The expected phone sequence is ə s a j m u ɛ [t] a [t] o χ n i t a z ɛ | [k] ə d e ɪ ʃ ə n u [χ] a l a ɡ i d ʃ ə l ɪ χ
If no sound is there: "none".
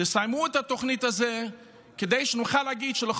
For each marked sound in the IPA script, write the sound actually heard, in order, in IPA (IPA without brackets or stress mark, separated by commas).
t, t, k, χ